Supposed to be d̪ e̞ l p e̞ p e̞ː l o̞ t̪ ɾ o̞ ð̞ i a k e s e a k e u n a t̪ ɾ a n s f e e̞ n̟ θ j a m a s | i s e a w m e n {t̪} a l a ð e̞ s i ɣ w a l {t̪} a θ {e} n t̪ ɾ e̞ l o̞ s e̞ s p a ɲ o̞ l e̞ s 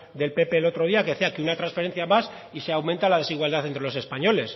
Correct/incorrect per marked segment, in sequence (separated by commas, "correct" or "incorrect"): correct, incorrect, correct